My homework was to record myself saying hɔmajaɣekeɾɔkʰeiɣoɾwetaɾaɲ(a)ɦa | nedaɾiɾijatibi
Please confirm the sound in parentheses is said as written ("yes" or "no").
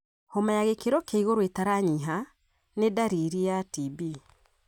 no